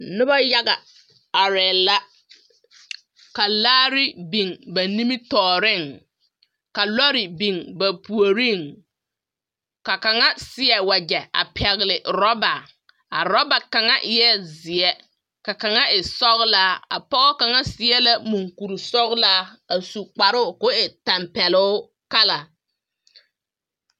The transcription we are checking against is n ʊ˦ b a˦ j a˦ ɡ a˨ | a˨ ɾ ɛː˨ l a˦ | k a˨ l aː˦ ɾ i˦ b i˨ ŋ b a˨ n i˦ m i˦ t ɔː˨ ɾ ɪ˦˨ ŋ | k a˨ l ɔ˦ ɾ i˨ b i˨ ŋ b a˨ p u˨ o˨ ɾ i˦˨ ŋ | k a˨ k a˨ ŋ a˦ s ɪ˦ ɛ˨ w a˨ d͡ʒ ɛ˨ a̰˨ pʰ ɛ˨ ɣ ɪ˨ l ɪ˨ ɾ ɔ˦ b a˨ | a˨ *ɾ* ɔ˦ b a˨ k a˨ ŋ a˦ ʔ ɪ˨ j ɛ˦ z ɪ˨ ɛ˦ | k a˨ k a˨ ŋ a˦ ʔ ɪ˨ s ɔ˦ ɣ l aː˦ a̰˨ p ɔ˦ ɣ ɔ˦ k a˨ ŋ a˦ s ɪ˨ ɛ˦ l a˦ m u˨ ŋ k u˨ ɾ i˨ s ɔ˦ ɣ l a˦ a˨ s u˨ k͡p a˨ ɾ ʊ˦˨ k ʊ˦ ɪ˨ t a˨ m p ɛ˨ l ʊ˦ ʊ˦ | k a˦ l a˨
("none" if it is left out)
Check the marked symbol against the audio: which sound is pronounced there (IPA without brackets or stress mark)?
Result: ɾ